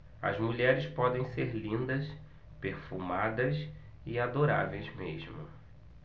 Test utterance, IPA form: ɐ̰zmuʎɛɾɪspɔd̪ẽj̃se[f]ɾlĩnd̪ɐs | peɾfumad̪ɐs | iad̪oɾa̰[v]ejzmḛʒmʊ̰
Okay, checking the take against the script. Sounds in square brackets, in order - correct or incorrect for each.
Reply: incorrect, correct

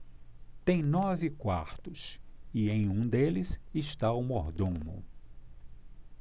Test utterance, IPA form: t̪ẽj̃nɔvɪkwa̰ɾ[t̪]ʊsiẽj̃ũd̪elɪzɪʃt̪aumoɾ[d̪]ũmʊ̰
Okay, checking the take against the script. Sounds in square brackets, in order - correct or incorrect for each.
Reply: correct, correct

